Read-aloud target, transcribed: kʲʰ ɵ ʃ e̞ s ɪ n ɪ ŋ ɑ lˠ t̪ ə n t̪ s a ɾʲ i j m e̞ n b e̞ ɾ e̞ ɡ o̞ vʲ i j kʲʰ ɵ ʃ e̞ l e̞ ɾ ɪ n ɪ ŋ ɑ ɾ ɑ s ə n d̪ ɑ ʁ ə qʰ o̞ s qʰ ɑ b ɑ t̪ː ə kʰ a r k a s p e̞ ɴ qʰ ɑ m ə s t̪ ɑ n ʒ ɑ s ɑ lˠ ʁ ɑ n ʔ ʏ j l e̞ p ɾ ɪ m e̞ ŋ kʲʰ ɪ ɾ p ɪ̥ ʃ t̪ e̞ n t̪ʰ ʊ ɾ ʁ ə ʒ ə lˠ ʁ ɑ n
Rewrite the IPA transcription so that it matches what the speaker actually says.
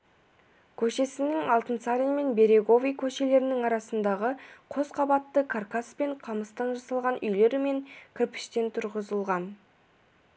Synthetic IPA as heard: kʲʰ ɵ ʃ e̞ s ɪ n ɪ ŋ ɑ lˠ t̪ ə n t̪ s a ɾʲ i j m e̞ n b e̞ ɾ e̞ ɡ o̞ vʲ i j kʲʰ ɵ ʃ e̞ l e̞ ɾ ɪ n ɪ ŋ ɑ ɾ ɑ s ə n d̪ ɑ ʁ ə qʰ o̞ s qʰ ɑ b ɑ t̪ː ə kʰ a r k a s p e̞ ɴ qʰ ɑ m ə s t̪ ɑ n ʒ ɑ s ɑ lˠ ʁ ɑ n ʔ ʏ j l e̞ ɾ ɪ m e̞ ŋ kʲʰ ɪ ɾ p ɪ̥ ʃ t̪ e̞ n t̪ʰ ʊ ɾ ʁ ə z ə lˠ ʁ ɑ n